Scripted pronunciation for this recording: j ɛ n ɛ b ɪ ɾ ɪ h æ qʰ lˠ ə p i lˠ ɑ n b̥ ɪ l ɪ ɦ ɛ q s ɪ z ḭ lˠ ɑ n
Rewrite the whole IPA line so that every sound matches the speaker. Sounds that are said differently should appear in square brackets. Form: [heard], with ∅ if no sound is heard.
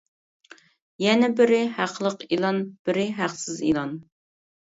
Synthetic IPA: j ɛ n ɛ b ɪ ɾ ɪ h æ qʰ lˠ ə [q] i lˠ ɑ n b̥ ɪ [ɾ] ɪ ɦ [æ] q s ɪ z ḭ lˠ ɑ n